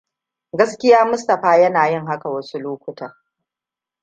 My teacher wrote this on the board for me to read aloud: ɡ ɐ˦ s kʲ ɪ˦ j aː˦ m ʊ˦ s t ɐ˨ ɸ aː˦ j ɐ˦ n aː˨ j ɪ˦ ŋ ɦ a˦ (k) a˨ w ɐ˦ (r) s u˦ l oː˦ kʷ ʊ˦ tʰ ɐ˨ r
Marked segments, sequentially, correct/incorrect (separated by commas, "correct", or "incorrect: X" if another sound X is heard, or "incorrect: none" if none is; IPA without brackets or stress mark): correct, incorrect: none